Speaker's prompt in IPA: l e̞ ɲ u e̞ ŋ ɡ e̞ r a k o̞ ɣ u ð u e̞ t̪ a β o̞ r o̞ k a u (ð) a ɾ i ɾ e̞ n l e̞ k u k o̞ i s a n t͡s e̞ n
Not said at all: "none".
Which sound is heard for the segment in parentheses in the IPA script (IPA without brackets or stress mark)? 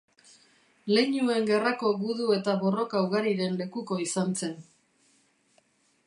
ɣ